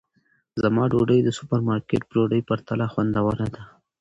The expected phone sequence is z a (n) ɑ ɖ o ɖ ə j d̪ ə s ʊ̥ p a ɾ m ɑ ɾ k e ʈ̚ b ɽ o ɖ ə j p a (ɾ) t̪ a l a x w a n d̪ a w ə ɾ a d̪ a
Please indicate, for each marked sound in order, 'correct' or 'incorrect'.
incorrect: m, correct

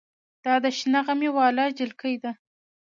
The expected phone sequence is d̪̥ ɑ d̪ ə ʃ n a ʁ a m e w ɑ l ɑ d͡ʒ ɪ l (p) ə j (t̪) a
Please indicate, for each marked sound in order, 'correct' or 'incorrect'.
incorrect: k, incorrect: d̪

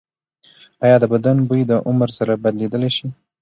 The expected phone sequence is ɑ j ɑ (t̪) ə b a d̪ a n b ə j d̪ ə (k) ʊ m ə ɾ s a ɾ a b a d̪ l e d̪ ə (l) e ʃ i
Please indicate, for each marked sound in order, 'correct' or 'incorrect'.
incorrect: d̪, incorrect: ʔ, correct

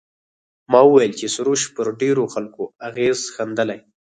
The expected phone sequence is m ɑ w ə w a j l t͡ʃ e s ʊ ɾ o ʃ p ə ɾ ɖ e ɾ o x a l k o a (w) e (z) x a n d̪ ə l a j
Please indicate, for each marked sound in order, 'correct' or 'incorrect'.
incorrect: ɣ, correct

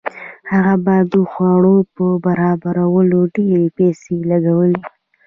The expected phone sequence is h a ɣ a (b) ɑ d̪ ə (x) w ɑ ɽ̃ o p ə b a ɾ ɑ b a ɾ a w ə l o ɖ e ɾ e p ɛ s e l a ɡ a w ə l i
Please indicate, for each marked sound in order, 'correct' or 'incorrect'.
correct, correct

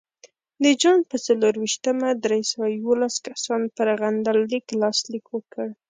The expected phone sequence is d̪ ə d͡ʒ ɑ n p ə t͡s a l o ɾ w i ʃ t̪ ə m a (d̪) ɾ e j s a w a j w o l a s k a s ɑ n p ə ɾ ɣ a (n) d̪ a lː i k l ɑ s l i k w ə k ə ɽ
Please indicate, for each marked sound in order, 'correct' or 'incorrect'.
correct, correct

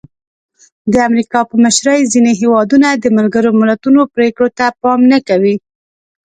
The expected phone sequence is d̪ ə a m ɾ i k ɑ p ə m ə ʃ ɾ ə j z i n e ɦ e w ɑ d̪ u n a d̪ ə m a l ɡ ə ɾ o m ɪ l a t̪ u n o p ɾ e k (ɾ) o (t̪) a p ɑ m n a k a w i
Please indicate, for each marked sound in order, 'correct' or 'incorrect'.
incorrect: ɽ, correct

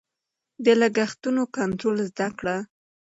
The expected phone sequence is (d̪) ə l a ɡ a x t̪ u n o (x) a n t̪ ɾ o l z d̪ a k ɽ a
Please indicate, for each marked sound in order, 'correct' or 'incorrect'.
correct, incorrect: k

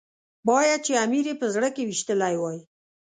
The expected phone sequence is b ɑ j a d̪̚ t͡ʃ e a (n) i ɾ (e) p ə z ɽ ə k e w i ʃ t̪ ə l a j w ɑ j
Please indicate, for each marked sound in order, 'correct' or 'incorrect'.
incorrect: m, correct

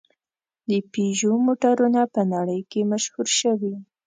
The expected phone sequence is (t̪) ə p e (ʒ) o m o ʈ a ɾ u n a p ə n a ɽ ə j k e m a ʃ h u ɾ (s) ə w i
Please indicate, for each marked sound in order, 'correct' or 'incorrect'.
incorrect: d̪, correct, incorrect: ʃ

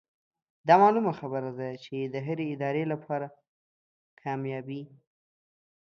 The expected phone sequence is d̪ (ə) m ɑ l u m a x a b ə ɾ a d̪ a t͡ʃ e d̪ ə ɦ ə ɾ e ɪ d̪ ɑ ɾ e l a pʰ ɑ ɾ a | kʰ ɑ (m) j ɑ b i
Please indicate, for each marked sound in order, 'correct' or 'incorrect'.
incorrect: ɑ, correct

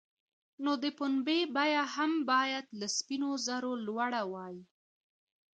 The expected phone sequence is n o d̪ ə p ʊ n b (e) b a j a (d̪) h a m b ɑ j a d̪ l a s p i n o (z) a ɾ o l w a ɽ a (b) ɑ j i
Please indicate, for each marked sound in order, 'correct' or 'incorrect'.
correct, incorrect: none, correct, incorrect: w

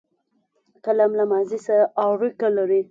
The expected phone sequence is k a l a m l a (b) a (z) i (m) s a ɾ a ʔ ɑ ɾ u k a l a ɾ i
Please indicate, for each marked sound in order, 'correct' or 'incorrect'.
incorrect: m, correct, incorrect: none

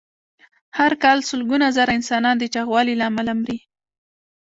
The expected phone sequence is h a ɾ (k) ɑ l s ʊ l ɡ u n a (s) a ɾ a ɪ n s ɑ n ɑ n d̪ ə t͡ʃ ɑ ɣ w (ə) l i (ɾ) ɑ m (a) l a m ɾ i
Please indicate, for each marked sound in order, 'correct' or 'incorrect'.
correct, incorrect: z, incorrect: ɑ, incorrect: l, correct

